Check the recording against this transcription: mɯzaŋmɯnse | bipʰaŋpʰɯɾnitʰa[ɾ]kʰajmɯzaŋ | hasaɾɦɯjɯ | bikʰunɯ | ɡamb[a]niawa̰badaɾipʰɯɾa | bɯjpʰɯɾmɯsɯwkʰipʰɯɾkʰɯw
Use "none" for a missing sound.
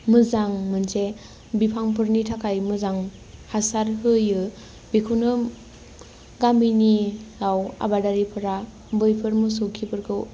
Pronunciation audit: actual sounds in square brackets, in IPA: none, i

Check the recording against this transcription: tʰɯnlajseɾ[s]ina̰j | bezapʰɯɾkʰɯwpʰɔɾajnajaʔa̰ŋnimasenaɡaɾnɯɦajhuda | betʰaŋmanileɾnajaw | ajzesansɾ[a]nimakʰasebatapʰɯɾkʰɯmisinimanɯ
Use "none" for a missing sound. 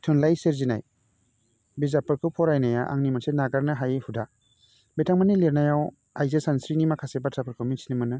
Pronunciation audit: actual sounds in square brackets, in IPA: z, i

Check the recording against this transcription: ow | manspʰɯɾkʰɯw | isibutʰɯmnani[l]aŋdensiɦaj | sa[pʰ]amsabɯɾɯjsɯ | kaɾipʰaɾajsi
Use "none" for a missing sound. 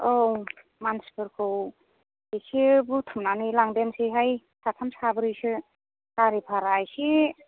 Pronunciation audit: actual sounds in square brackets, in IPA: l, tʰ

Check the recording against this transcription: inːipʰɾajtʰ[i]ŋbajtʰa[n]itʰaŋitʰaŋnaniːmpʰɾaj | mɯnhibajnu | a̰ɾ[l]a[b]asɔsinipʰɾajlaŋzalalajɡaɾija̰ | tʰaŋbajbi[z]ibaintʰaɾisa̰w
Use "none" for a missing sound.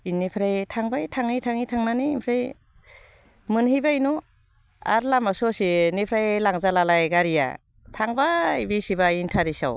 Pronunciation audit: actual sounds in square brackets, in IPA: a, ŋ, l, m, s

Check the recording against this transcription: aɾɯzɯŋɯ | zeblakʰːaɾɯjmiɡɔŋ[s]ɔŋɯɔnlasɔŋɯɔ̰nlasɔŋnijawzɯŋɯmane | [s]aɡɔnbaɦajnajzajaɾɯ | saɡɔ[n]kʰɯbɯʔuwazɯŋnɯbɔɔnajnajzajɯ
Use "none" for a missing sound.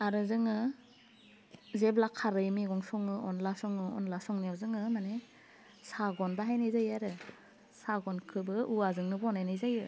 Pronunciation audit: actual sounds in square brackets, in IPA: s, s, n

